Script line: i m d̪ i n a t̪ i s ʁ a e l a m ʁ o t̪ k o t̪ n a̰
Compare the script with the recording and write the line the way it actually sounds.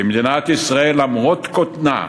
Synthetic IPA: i m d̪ i n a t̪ i s ʁ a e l a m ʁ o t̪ k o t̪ n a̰